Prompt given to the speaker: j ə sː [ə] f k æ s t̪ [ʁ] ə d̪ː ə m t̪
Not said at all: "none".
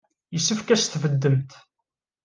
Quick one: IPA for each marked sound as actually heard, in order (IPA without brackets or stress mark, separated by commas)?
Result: ə, v